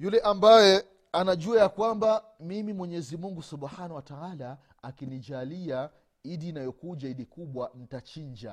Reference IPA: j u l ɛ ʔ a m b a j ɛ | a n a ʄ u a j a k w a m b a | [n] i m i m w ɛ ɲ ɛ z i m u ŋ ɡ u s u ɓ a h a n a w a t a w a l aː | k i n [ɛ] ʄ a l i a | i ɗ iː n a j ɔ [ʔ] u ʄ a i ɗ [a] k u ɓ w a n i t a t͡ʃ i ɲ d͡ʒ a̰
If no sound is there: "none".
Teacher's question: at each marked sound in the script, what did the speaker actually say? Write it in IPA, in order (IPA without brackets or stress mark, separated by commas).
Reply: m, i, k, i